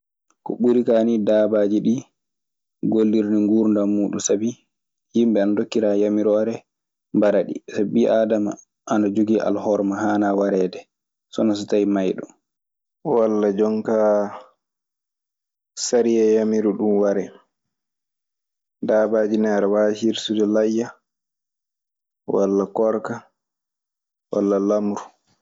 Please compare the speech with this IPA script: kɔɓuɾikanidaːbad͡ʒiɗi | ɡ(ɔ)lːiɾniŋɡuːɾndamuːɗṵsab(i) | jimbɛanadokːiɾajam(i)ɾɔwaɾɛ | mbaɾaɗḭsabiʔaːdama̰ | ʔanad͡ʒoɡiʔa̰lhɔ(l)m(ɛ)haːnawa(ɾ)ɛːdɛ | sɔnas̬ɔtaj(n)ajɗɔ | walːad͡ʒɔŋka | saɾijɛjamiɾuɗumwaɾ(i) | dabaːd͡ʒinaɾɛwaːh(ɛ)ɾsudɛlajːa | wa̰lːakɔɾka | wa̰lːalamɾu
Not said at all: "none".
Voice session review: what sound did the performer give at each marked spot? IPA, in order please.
o, i, i, ɾ, a, ɾ, m, ɛ, i

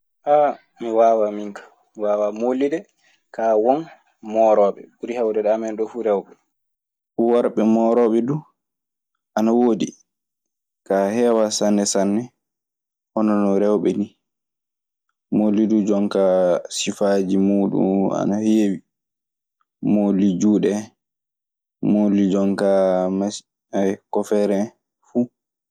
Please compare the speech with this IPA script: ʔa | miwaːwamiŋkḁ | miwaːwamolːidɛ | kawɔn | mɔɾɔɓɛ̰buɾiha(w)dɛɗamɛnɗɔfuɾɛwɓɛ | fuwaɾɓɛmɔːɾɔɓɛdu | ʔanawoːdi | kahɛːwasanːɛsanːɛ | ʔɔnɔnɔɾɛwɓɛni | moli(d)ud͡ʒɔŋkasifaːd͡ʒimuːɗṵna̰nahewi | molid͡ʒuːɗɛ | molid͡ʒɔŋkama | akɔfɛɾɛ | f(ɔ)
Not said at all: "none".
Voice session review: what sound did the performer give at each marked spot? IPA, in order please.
w, d, u

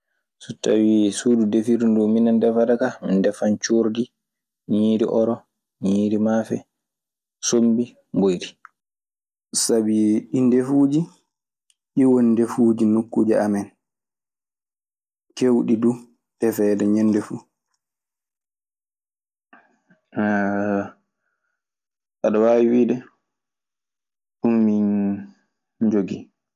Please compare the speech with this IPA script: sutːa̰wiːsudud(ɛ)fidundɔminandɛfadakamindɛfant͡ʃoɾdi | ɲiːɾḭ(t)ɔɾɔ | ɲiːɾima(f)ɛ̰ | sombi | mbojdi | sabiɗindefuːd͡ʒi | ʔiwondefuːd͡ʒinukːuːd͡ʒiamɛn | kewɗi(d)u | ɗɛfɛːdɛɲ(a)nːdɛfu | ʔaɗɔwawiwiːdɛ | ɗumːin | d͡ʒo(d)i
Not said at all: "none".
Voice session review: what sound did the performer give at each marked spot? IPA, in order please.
e, ʔ, f, d, ɛ, ɡ

